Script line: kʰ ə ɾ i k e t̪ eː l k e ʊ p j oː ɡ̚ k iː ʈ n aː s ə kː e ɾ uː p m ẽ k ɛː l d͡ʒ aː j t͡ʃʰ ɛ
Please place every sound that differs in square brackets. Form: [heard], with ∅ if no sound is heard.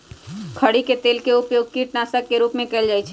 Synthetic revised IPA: kʰ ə [ɽ] i k e t̪ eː l k e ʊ p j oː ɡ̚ k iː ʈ n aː s ə kː e ɾ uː p m ẽ k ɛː l d͡ʒ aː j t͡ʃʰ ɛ